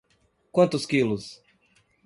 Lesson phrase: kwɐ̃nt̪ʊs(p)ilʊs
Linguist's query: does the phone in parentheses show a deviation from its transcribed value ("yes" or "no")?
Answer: yes